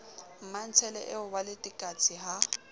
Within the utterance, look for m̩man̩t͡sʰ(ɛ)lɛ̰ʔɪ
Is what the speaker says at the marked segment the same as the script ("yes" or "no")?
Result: yes